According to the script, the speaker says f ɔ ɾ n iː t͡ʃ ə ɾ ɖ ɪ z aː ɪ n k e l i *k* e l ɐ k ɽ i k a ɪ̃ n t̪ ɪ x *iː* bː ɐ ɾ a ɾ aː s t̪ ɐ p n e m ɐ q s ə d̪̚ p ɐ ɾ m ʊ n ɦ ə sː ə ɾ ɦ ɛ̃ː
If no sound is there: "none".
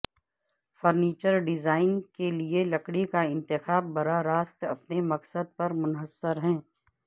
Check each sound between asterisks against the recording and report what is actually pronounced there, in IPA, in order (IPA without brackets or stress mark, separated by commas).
none, aː